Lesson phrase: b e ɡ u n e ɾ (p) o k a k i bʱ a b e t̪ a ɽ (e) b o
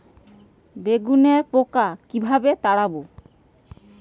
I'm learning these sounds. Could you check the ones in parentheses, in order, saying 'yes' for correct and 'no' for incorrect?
yes, no

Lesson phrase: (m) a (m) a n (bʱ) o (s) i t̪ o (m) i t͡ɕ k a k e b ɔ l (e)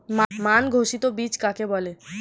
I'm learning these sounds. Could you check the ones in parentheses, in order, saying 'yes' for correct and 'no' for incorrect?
yes, yes, no, no, no, yes

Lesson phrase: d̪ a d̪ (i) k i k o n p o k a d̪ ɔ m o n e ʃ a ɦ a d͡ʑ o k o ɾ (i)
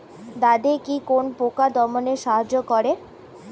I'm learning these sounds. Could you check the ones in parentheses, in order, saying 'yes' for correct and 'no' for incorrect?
no, no

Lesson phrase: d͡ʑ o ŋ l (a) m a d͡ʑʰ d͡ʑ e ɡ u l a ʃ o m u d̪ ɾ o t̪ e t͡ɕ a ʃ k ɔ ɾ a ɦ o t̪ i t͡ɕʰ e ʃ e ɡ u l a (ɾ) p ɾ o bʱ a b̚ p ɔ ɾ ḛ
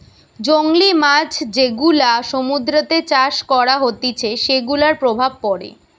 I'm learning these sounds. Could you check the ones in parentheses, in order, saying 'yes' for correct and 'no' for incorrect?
no, yes

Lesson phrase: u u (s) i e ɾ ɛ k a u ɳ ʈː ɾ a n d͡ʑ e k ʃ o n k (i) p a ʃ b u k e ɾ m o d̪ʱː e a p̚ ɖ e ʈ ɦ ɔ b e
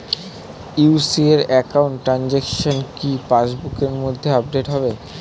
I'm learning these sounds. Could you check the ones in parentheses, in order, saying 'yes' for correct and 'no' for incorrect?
yes, yes

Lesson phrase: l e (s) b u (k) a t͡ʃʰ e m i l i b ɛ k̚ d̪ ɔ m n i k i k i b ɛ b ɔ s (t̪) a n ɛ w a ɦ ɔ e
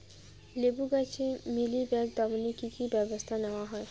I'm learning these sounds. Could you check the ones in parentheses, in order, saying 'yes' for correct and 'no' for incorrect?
no, no, no

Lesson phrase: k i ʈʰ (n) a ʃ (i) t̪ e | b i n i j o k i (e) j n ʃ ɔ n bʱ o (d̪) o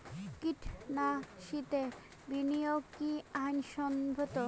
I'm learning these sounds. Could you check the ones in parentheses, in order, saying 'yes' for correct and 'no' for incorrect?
yes, yes, no, no

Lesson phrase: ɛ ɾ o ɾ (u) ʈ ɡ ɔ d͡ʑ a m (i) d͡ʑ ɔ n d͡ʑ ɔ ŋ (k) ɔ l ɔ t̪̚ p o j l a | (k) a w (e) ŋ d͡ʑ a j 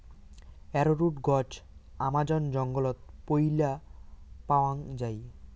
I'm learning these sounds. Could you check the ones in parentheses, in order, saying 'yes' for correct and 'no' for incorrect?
yes, no, no, no, no

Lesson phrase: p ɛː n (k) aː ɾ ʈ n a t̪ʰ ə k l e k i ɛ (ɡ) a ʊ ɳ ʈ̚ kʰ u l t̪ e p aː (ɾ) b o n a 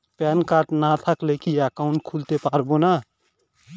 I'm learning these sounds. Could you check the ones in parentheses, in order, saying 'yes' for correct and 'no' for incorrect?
yes, no, yes

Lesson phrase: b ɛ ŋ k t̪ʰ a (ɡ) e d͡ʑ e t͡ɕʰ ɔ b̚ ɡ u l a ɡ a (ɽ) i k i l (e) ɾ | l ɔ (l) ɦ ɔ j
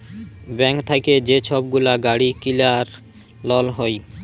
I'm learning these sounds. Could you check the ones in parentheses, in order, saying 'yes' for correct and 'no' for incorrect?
no, yes, no, yes

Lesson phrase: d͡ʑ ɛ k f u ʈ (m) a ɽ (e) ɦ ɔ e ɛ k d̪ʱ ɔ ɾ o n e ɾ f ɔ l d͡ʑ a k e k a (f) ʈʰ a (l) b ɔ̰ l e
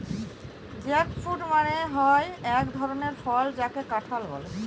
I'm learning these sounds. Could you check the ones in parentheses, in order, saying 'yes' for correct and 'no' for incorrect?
yes, yes, no, yes

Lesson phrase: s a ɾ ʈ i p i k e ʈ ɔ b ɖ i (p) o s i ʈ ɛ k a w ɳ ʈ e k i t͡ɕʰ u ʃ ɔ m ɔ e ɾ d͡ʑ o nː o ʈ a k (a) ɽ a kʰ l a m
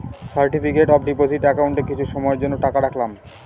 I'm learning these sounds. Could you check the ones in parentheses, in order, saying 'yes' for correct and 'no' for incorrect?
yes, yes

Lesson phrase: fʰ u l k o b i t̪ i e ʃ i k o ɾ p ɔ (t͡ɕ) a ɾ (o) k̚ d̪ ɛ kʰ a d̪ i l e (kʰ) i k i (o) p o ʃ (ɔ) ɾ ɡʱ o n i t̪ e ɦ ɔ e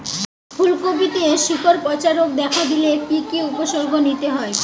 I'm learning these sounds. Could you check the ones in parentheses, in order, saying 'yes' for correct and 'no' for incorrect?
yes, yes, no, no, no

